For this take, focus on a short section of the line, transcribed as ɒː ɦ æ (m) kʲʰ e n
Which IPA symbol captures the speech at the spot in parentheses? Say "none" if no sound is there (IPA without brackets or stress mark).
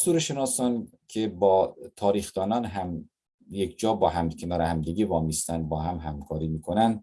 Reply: m